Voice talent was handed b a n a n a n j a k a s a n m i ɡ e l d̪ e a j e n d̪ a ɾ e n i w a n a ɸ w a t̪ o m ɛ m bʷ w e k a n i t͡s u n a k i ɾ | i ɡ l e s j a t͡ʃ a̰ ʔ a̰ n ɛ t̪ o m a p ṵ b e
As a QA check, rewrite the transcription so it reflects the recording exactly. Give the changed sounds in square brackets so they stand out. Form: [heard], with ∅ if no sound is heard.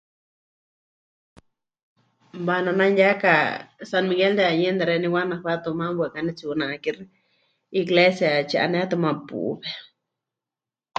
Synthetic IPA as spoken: b a n a n a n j a k a s a n m i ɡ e l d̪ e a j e n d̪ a ɾ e n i w a n a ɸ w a t̪ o m [a] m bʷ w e k a n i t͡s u n a k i ɾ | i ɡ l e s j a t͡ʃ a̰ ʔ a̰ n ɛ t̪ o m a p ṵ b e